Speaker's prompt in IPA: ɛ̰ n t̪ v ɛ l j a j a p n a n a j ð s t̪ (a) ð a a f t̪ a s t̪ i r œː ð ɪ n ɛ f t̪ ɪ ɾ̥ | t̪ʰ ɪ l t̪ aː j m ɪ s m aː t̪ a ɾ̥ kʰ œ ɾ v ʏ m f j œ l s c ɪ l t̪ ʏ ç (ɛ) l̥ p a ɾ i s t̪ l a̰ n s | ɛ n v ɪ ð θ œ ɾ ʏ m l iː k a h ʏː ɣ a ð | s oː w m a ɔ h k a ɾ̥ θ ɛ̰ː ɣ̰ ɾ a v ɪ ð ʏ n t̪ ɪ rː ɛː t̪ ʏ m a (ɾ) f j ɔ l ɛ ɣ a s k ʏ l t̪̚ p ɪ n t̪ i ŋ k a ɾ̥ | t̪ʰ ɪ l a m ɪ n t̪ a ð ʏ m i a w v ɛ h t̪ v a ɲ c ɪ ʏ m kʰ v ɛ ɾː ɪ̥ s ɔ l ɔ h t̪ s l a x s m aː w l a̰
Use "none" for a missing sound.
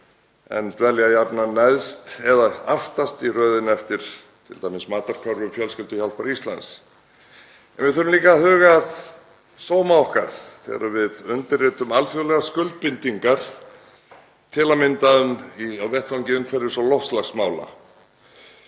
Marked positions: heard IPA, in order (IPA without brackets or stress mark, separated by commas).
ɛ, a, l